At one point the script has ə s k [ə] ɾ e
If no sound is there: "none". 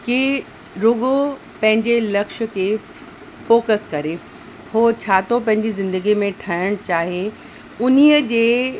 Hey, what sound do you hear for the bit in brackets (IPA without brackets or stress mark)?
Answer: ɐ